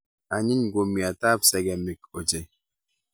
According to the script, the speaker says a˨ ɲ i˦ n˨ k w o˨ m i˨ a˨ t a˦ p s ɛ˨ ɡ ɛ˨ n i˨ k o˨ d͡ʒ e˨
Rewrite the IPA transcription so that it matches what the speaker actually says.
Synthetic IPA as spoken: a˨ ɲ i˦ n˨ ɡ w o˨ m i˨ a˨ t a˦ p s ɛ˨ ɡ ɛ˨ m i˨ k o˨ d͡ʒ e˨